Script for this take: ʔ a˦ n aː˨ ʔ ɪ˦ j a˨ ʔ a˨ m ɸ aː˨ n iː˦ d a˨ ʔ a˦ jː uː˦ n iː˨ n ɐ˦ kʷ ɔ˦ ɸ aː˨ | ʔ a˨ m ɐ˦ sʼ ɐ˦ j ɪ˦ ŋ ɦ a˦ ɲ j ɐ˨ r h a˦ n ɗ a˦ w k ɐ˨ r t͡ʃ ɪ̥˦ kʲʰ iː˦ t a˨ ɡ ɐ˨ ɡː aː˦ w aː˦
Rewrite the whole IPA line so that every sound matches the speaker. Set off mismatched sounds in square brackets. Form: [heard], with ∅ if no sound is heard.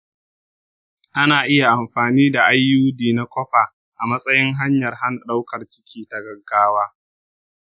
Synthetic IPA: ʔ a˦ n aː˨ ʔ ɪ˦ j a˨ ʔ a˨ m ɸ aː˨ n iː˦ d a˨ ʔ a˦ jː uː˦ [d] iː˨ n [a˦] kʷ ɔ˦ ɸ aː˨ | ʔ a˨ m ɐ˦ sʼ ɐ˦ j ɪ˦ ŋ ɦ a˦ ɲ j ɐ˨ r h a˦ n ɗ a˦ w k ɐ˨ r t͡ʃ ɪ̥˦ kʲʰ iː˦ t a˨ ɡ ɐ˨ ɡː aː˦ w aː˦